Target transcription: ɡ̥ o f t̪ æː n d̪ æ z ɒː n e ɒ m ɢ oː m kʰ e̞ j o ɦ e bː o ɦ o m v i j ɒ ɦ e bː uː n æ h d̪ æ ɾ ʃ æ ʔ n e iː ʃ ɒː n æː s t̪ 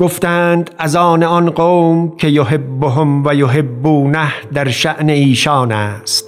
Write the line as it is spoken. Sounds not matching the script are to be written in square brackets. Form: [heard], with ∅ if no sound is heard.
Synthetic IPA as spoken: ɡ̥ o f t̪ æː n d̪ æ z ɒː n e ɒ [n] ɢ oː m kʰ e̞ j o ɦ e bː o ɦ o m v [æ] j [o] ɦ e bː uː n æ h d̪ æ ɾ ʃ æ ʔ n e iː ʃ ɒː n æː s t̪